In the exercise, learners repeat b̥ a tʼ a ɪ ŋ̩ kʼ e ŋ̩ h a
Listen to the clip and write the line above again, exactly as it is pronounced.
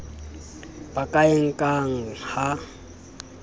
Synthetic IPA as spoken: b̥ a kʼ a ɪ ŋ̩ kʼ a ŋ̩ h a